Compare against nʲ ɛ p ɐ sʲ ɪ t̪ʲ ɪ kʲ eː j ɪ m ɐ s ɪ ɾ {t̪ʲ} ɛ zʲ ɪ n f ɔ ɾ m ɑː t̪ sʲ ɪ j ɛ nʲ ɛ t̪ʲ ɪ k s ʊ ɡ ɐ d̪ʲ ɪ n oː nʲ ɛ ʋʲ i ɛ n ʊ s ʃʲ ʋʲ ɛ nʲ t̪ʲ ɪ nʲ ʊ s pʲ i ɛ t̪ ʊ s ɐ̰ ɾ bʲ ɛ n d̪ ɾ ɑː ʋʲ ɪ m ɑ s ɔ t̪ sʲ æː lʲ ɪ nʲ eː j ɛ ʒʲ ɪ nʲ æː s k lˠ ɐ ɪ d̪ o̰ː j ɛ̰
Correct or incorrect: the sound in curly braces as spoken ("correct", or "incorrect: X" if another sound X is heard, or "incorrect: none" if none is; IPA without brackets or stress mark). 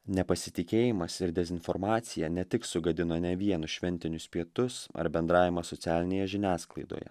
incorrect: d̪ʲ